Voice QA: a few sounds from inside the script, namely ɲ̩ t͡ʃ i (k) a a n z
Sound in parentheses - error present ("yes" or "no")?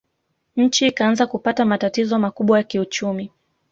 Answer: no